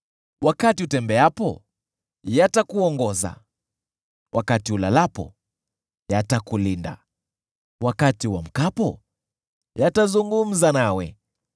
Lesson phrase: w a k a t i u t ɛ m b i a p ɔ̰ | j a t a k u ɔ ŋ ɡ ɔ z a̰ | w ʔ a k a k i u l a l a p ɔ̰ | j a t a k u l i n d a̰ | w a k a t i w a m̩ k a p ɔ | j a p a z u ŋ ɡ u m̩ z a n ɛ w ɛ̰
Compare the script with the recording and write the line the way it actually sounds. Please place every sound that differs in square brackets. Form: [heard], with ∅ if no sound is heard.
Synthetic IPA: w a k a t i u t ɛ m b [ɛ] a p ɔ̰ | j a t a k u ɔ ŋ ɡ ɔ z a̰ | w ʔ a k a [t] i u l a l a p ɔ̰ | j a t a k u l i n d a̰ | w a k a t i w a m̩ k a p ɔ | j a [t] a z u ŋ ɡ u m̩ z a n [a] w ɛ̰